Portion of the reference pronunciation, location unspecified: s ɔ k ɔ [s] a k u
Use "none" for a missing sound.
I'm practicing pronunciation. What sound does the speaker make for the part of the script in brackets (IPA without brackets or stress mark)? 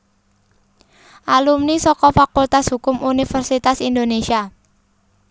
f